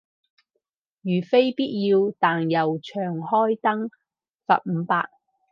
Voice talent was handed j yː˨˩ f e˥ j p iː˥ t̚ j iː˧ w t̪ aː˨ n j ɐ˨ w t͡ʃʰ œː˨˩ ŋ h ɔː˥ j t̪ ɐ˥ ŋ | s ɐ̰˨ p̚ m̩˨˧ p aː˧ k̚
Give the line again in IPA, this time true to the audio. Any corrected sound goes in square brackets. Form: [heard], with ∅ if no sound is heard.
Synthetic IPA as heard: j yː˨˩ f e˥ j p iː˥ t̚ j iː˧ w t̪ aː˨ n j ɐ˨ w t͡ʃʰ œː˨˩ ŋ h ɔː˥ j t̪ ɐ˥ ŋ | s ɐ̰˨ p̚ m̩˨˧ p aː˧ k̚